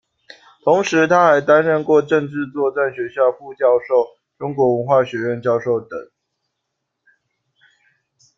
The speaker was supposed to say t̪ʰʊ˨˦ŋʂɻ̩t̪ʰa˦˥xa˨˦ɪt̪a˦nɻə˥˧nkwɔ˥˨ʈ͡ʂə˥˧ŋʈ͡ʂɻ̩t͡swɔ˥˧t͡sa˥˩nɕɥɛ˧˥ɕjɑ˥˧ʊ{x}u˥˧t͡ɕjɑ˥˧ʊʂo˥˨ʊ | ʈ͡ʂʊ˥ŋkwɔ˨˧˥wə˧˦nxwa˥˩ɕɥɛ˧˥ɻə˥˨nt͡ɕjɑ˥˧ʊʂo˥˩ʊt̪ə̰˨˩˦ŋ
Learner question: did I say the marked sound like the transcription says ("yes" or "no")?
no